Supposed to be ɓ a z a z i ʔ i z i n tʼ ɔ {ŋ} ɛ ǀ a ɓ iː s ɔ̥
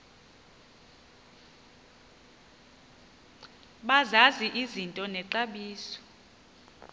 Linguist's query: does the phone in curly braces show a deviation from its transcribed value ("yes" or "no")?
yes